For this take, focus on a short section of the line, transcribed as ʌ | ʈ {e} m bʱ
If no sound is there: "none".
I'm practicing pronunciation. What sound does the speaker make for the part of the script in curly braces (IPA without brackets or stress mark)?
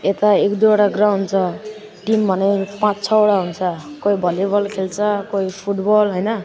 i